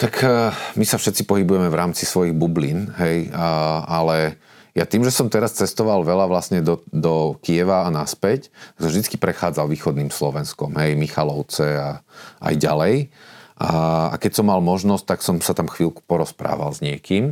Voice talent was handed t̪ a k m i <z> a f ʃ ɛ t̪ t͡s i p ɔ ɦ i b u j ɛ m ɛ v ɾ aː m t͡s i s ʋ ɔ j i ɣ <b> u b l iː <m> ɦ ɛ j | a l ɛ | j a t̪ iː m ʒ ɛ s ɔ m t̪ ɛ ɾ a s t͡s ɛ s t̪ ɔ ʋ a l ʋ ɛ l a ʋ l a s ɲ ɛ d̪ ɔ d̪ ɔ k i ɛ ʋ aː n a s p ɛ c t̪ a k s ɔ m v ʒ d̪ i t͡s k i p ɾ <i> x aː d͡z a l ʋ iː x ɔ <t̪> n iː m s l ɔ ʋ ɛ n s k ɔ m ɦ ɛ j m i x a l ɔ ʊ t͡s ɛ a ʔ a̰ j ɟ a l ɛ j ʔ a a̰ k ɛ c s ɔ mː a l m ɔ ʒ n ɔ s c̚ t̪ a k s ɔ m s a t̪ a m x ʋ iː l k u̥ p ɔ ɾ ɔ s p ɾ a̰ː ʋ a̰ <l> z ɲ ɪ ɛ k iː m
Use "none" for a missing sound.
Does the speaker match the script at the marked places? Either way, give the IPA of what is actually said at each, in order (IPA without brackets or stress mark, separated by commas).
s, b, n, ɛ, d̪, l